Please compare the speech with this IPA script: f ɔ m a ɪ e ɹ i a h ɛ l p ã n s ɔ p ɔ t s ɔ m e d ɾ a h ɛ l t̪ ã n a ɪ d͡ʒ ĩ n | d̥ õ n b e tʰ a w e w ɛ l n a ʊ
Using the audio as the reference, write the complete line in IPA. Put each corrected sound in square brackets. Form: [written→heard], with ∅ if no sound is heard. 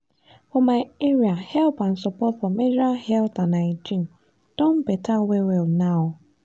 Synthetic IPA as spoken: f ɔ m a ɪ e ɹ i a h ɛ l p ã n s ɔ p ɔ t [s→f] ɔ m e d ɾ a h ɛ l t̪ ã n a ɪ d͡ʒ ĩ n | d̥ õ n b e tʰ a w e w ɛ l n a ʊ